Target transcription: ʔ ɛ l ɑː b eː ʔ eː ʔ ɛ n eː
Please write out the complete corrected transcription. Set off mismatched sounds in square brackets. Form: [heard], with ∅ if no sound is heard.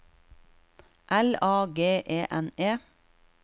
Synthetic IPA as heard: ʔ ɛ l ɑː [ɡ] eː ʔ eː ʔ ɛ n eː